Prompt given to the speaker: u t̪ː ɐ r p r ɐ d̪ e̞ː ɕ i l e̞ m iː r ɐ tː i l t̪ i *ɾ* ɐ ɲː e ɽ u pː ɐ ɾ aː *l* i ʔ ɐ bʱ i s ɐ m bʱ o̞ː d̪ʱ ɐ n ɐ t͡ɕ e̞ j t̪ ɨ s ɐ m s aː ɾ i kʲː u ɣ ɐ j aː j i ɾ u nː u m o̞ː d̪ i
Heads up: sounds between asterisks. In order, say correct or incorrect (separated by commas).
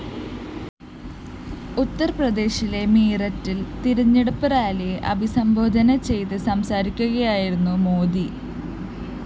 correct, correct